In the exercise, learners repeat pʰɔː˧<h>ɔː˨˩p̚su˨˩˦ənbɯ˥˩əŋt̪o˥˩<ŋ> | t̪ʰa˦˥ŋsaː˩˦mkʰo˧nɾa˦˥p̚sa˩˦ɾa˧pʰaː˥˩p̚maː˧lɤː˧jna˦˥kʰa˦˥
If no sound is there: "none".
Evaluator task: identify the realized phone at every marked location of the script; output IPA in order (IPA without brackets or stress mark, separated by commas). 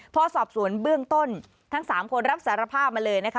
s, n